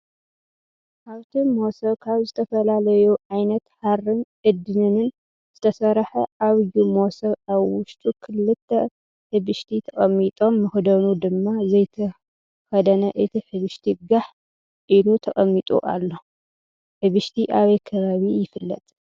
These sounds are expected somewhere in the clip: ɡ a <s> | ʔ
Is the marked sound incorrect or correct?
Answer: incorrect: ħ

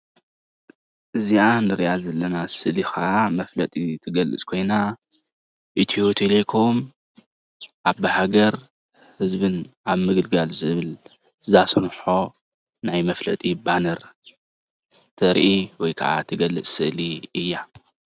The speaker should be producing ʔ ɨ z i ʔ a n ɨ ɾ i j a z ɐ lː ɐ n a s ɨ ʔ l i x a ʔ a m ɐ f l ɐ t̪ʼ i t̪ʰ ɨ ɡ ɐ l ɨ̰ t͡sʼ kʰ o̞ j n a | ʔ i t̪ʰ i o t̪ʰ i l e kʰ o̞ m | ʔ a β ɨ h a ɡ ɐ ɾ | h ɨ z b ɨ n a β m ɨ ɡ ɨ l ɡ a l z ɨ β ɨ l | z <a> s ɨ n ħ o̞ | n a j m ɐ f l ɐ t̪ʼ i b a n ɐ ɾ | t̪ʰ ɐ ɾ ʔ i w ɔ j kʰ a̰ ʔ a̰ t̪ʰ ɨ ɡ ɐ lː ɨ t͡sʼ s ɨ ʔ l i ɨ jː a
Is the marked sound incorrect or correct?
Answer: correct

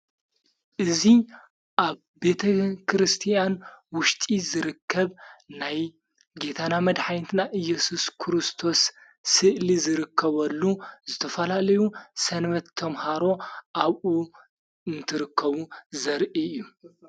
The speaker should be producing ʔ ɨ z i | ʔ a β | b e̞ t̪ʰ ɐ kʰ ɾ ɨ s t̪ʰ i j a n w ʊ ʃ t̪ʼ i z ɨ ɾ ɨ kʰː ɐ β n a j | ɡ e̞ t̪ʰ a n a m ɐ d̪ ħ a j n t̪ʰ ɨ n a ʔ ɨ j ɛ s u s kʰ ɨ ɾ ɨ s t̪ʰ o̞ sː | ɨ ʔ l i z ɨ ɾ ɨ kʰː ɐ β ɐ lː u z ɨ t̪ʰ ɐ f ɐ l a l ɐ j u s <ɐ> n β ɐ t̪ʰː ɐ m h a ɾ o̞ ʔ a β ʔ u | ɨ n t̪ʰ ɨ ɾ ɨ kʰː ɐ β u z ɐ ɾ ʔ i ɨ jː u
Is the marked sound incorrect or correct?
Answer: correct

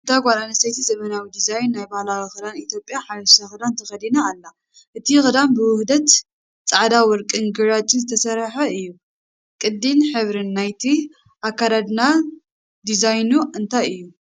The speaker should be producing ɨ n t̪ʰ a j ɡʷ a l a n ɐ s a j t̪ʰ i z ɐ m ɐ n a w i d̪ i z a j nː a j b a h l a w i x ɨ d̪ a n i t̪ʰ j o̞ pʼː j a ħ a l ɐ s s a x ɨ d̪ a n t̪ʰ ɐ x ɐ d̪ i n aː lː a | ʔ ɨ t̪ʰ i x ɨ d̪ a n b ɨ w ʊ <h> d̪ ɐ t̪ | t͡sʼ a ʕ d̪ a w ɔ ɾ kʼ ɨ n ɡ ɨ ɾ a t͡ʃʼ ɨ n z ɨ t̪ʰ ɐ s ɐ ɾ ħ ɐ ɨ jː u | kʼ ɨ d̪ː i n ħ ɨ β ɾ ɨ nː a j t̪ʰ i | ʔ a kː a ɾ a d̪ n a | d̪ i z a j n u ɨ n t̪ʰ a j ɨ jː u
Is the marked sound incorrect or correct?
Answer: correct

